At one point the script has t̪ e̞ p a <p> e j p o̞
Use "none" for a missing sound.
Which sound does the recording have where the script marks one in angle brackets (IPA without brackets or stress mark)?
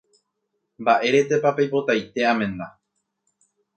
p